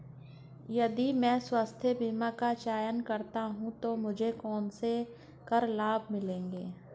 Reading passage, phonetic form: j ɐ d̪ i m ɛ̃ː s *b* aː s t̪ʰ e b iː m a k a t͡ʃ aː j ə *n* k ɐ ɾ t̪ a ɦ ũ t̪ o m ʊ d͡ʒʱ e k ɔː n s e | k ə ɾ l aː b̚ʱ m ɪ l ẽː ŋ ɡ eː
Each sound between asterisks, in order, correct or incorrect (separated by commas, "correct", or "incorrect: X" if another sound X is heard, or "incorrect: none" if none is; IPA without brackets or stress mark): incorrect: w, correct